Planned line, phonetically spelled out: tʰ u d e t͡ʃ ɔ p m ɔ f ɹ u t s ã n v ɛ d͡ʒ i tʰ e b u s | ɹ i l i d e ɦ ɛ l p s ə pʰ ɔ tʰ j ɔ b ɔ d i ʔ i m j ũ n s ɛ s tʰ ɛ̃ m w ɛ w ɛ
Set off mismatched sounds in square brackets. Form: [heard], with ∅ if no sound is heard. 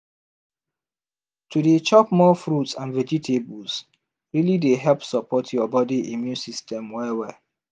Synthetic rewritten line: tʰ u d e t͡ʃ ɔ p m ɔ f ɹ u t s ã n v ɛ d͡ʒ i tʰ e b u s | ɹ i l i d e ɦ ɛ l p s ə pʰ ɔ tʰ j ɔ b ɔ d i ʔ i m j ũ n s [i] s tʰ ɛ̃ m w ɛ w ɛ